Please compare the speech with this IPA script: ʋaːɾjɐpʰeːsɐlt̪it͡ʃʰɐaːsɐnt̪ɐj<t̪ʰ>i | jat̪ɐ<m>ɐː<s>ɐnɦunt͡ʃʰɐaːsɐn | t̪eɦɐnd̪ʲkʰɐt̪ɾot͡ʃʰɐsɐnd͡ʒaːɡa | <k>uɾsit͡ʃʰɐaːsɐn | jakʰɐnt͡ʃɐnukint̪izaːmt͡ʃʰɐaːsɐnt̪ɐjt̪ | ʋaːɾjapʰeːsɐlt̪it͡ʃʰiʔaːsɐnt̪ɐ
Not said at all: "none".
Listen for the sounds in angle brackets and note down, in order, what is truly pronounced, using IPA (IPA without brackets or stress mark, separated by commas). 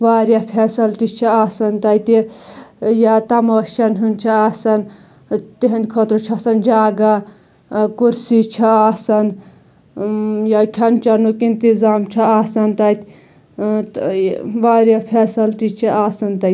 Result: t̪, m, ʃ, k